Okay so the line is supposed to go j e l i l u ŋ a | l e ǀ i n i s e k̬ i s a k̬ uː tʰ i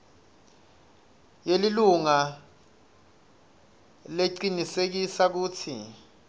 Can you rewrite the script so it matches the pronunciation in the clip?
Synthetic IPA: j e l i l u ŋ a | l e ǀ i n i s e k̬ i s a k̬ uː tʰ i